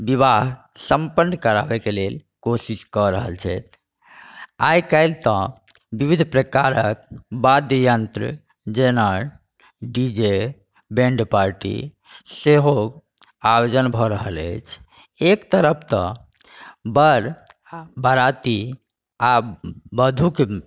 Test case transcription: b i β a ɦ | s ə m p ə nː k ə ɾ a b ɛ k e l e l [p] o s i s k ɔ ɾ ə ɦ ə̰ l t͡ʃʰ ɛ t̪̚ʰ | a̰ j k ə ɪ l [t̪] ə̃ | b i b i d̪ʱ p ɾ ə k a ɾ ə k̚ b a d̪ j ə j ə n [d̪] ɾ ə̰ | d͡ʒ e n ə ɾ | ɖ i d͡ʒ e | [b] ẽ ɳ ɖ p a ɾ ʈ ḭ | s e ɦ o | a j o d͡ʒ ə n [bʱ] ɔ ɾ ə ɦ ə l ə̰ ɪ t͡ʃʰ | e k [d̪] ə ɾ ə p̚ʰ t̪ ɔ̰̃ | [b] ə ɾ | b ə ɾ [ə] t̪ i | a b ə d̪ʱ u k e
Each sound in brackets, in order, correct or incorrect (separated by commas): incorrect, correct, incorrect, correct, correct, incorrect, correct, incorrect